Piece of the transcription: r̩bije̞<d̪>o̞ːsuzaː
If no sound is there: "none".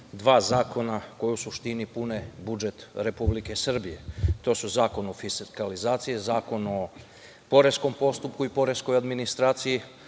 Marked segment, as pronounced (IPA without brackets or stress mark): t̪